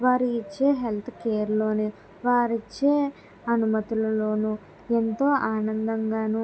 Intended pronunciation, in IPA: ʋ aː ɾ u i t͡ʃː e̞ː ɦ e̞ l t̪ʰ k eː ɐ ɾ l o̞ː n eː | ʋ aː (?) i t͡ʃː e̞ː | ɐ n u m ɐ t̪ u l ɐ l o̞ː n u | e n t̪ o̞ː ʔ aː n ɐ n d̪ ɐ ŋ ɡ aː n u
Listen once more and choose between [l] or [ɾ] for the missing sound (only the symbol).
ɾ